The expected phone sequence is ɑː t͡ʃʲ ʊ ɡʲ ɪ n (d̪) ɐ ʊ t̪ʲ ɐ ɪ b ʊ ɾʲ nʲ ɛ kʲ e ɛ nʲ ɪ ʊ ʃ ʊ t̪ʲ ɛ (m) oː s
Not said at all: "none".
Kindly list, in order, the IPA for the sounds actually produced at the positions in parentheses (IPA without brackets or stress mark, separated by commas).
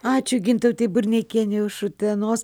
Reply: t̪, n